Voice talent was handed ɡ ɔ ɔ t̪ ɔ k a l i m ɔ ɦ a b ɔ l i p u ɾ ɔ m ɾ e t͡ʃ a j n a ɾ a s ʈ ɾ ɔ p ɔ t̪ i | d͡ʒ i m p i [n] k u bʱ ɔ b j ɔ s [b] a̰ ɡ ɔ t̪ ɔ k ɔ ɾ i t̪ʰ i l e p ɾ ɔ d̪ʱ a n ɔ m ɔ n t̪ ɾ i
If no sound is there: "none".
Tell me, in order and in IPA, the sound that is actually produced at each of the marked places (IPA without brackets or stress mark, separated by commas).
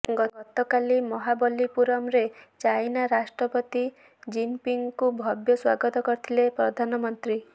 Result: ŋ, w